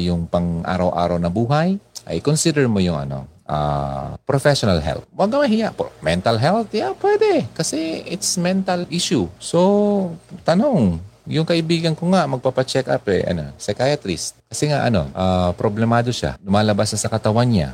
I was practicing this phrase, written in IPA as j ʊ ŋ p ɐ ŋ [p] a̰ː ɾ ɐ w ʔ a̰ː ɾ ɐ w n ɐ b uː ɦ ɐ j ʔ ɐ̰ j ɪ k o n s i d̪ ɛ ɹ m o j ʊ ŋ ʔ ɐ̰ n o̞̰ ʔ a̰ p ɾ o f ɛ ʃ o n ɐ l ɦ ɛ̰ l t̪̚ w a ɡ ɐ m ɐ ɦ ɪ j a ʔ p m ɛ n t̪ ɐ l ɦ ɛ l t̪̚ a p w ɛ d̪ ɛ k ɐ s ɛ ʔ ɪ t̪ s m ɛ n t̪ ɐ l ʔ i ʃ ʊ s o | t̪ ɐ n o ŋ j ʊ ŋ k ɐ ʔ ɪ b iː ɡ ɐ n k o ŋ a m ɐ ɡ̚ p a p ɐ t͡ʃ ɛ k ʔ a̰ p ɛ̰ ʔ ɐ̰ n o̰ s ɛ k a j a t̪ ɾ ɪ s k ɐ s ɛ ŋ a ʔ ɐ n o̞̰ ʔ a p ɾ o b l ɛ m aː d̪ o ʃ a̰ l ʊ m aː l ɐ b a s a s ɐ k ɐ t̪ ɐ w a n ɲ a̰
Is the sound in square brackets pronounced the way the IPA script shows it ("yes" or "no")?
no